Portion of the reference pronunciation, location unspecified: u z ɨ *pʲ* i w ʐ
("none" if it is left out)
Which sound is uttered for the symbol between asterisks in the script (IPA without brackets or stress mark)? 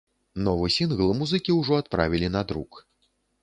kʲ